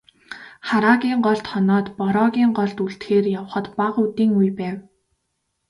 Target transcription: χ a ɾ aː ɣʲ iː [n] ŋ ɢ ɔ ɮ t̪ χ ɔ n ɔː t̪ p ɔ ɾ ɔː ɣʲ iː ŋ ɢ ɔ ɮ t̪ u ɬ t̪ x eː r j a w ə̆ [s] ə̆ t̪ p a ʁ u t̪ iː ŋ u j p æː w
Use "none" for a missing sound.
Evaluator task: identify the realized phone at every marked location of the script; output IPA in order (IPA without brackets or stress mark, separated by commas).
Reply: none, χ